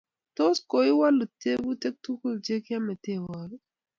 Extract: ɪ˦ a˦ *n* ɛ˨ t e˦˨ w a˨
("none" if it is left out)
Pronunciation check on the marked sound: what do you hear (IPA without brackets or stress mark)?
m